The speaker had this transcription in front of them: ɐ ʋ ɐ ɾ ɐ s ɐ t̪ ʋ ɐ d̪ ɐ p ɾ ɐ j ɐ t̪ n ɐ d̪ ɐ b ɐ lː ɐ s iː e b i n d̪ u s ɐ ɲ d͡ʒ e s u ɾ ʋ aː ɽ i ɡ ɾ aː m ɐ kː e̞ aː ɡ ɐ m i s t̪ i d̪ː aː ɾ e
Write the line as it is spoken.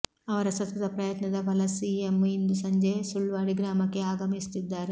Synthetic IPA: ɐ ʋ ɐ ɾ ɐ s ɐ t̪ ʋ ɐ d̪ ɐ p ɾ ɐ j ɐ t̪ n ɐ d̪ ɐ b ɐ l ɐ s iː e m i n d̪ u s ɐ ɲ d͡ʒ e s u ɭ ʋ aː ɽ i ɡ ɾ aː m ɐ kː e̞ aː ɡ ɐ m i s t̪ i d̪ː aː ɾ e